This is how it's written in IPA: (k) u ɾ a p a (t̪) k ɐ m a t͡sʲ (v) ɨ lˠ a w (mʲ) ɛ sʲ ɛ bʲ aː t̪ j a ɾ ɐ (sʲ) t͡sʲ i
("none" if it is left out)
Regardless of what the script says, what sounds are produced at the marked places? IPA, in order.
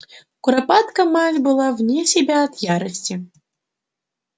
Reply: k, t̪, b, nʲ, sʲ

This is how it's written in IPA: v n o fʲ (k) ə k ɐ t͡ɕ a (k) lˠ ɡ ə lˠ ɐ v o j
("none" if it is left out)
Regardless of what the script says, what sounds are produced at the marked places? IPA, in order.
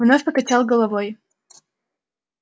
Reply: p, none

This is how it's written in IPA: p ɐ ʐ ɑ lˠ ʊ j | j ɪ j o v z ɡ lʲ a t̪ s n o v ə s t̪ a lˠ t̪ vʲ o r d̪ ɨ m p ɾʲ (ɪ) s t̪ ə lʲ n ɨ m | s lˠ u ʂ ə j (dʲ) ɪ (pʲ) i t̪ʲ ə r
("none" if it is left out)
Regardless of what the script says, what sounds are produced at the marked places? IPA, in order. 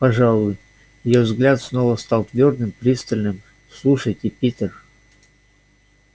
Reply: i, tʲ, pʲ

